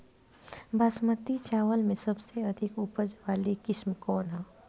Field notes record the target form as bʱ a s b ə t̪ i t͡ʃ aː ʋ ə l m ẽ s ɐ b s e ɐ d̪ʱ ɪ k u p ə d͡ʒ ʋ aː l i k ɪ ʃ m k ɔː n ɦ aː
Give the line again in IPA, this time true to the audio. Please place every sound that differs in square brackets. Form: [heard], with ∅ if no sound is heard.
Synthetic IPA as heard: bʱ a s [m] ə t̪ i t͡ʃ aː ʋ ə l m ẽ s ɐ b s e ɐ d̪ʱ ɪ k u p ə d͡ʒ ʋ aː l i k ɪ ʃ m k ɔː n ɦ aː